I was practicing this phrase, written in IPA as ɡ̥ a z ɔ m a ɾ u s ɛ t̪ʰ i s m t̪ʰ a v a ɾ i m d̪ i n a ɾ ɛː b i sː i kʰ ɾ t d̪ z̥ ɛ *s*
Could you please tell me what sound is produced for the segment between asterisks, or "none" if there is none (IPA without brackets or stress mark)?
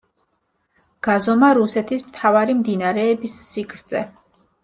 none